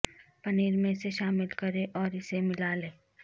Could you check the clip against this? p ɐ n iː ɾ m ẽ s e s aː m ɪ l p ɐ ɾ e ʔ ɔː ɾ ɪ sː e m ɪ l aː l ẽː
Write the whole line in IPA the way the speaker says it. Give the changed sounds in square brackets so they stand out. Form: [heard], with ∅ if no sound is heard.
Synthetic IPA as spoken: p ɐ n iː ɾ m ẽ s e [ʃ] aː m ɪ l [k] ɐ ɾ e ʔ ɔː ɾ ɪ [s] e m ɪ l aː l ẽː

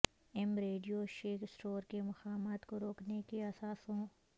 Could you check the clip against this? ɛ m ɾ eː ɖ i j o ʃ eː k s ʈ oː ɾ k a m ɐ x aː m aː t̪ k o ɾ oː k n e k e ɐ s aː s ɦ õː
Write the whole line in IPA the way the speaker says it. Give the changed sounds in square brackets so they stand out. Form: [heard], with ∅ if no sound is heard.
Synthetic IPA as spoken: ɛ m ɾ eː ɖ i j o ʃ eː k s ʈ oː ɾ k [e] m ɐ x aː m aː t̪ k o ɾ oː k n e k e ɐ s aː s ɦ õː

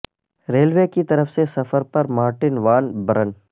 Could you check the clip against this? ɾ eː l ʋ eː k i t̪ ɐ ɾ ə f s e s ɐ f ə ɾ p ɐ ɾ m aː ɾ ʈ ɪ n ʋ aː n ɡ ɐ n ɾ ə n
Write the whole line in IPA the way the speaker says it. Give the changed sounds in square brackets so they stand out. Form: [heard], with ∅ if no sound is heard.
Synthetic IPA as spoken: ɾ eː l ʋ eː k i t̪ ɐ ɾ ə f s e s ɐ f ə ɾ p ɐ ɾ m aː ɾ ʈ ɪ n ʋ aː n [b] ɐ [∅] ɾ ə n

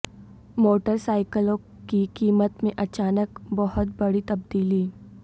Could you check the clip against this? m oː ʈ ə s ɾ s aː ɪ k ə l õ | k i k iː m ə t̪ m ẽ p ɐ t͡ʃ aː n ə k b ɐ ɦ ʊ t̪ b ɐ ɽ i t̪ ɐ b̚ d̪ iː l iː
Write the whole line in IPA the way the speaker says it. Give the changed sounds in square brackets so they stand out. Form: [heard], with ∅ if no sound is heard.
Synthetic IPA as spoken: m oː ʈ ə [∅] ɾ s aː ɪ k ə l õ | k i k iː m ə t̪ m ẽ [ʔ] ɐ t͡ʃ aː n ə k b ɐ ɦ ʊ t̪ b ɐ ɽ i t̪ ɐ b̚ d̪ iː l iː

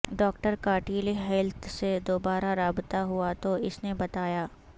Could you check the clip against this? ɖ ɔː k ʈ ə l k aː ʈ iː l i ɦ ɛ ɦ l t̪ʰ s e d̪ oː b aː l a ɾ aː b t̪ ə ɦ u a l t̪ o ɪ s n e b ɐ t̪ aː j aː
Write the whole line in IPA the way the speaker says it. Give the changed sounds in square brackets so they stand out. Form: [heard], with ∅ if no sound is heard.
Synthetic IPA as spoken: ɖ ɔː k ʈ ə [ɾ] k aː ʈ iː l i ɦ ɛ [∅] l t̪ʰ s e d̪ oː b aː [ɾ] a ɾ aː b t̪ [a] ɦ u a [∅] t̪ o ɪ s n e b ɐ t̪ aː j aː

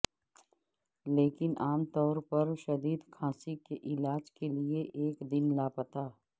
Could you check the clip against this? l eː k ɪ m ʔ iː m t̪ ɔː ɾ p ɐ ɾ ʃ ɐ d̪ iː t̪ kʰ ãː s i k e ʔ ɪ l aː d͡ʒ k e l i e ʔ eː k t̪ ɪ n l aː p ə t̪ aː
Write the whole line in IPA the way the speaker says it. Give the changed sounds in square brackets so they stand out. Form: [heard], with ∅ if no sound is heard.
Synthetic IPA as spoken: l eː k ɪ [n] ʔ [aː] m t̪ ɔː ɾ p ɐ ɾ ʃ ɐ d̪ iː [d̪] kʰ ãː s i k e ʔ ɪ l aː d͡ʒ k e l i e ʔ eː k [d̪] ɪ n l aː p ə t̪ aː

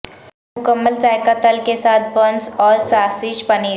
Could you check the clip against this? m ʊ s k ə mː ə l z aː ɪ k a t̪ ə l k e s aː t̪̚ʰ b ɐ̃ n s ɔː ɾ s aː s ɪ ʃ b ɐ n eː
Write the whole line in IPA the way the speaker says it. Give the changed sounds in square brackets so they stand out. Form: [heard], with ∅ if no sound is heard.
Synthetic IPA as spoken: m ʊ [∅] k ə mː ə l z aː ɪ k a t̪ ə l k e s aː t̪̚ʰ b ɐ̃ n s ɔː ɾ s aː s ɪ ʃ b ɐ n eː

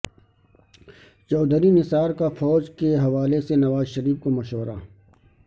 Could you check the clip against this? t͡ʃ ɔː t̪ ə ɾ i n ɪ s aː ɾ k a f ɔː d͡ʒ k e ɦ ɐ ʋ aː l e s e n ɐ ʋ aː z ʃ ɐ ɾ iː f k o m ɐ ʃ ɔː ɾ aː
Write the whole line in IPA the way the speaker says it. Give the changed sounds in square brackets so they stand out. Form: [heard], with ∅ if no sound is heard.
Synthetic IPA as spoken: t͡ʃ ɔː [d̪] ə ɾ i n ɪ s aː ɾ k a f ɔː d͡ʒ k e ɦ ɐ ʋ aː l e s e n ɐ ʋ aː z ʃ ɐ ɾ iː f k o m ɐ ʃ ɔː ɾ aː

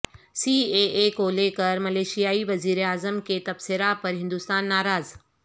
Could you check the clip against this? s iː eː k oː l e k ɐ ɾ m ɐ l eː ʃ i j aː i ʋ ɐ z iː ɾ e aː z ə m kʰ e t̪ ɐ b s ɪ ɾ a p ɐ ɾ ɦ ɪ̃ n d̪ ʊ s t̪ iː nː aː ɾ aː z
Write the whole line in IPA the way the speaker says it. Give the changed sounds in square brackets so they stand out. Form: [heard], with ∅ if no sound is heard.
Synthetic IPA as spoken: s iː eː k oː l e k ɐ ɾ m ɐ l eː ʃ i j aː i ʋ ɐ z iː ɾ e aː z ə m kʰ e t̪ ɐ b s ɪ ɾ a p ɐ ɾ ɦ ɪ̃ n d̪ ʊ s t̪ [aː] nː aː ɾ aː z

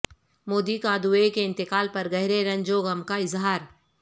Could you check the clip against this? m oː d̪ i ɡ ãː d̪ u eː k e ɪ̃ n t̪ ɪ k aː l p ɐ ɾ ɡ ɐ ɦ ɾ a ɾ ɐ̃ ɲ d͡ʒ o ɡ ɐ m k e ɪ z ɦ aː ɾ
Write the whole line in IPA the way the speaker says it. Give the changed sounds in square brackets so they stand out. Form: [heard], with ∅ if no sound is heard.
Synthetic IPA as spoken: m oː d̪ i [k] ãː d̪ u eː k e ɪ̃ n t̪ ɪ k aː l p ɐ ɾ ɡ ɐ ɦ ɾ [e] ɾ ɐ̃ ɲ d͡ʒ o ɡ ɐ m k [a] ɪ z ɦ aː ɾ

